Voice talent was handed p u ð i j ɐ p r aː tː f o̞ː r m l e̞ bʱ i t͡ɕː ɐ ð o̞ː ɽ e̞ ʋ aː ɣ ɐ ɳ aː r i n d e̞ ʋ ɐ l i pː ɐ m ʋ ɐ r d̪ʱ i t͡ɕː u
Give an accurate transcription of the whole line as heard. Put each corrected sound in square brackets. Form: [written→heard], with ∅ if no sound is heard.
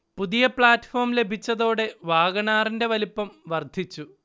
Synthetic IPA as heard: p u ð i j ɐ p [r→ɭ] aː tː f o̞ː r m l e̞ bʱ i t͡ɕː ɐ ð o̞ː ɽ e̞ ʋ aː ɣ ɐ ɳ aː r i n d e̞ ʋ ɐ l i pː ɐ m ʋ ɐ r d̪ʱ i t͡ɕː u